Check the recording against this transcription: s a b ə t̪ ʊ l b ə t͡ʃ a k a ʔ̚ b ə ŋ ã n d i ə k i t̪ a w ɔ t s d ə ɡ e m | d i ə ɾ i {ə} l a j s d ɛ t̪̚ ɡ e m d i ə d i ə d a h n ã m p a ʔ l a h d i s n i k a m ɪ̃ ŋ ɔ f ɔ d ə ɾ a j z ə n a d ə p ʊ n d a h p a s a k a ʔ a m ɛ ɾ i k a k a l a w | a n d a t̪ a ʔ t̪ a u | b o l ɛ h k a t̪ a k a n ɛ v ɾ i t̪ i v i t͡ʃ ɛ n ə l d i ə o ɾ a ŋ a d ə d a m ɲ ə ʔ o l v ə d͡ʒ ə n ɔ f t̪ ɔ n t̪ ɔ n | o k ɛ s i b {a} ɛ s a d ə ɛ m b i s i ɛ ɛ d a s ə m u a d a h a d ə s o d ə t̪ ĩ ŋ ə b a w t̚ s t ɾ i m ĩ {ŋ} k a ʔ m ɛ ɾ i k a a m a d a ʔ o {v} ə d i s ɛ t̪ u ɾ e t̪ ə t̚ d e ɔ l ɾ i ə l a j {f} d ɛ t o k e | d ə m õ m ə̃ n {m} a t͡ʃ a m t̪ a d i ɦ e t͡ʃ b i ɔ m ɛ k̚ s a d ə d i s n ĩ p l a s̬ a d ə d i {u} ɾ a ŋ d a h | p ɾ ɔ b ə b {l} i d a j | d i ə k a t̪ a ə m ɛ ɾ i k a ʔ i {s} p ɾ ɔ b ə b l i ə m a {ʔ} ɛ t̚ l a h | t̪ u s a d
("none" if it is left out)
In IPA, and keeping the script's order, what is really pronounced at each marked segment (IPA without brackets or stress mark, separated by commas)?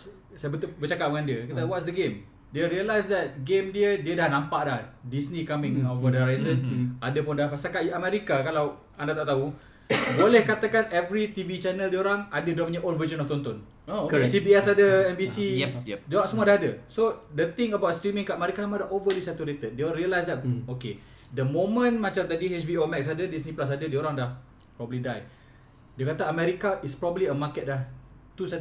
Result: ə, i, ŋ, v, s, m, o, l, s, k